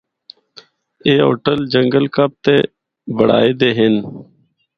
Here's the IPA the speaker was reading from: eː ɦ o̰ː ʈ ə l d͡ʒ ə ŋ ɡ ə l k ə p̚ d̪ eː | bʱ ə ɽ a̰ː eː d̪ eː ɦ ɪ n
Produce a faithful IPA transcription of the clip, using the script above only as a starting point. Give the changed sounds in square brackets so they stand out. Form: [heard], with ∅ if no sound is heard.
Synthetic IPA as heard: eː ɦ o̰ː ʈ ə l d͡ʒ ə ŋ ɡ ə l k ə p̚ [t̪] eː | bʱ ə ɽ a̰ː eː d̪ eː ɦ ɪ n